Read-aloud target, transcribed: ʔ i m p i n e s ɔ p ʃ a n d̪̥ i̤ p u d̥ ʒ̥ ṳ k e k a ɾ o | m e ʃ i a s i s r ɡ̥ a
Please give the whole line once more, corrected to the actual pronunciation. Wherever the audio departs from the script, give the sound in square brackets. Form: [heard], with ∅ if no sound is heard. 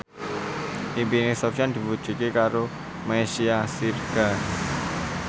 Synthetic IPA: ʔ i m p i n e s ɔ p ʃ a n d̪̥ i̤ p u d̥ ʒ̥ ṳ k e k a ɾ o | m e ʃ i a s i [∅] r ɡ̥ a